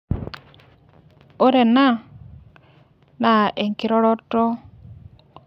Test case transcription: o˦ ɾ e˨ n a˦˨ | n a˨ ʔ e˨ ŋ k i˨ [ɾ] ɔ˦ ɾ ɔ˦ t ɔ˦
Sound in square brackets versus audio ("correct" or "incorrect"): correct